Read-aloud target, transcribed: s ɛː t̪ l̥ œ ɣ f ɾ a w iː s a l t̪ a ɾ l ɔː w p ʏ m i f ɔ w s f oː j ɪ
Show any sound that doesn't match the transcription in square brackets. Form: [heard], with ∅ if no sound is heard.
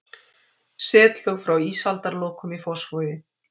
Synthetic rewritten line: s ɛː t̪ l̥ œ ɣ f ɾ a w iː s a l t̪ a ɾ l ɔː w [k] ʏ m i f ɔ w s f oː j ɪ